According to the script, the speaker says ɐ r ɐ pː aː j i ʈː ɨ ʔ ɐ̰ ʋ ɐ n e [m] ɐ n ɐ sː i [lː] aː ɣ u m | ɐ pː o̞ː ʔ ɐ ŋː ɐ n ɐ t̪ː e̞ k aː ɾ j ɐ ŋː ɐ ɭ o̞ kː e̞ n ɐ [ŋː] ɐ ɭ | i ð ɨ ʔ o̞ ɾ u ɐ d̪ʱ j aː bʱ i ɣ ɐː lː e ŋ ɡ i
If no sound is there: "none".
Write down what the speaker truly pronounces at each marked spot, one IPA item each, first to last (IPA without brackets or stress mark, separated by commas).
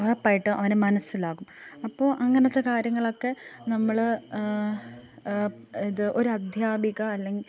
m, l, mː